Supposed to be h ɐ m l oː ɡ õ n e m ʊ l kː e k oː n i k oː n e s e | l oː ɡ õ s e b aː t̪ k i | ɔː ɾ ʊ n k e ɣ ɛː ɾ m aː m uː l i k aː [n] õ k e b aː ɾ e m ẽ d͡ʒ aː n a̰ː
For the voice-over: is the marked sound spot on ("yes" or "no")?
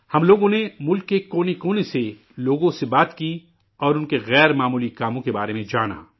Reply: no